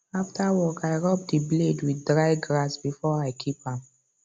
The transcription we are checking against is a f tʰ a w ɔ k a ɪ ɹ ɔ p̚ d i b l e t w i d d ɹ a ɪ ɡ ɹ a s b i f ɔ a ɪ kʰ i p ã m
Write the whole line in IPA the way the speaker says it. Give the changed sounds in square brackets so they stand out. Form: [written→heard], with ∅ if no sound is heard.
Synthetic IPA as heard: a f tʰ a w ɔ k a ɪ ɹ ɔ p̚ d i b l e [t→d] w i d d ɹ a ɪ ɡ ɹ a s b i f ɔ a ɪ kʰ i p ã m